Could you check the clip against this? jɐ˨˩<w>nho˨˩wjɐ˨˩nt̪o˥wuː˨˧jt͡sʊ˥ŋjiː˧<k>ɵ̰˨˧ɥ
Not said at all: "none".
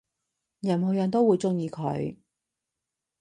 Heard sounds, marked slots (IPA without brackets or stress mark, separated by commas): none, kʰ